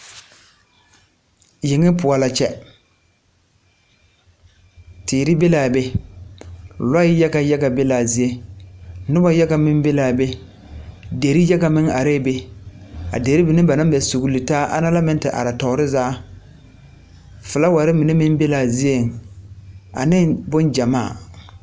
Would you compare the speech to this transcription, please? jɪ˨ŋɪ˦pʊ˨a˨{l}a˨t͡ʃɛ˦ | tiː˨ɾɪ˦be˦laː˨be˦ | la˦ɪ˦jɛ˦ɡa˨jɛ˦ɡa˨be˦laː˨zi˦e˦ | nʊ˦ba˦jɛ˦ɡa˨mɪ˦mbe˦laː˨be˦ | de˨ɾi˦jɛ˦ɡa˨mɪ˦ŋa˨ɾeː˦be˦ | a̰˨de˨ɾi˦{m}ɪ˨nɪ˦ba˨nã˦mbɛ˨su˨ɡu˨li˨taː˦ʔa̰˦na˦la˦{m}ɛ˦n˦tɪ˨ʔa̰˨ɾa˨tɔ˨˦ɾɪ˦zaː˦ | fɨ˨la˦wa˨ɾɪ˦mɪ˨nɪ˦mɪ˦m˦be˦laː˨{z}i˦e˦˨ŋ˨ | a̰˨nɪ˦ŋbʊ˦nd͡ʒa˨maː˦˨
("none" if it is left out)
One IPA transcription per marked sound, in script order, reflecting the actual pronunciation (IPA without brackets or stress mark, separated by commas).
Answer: l, b, m, z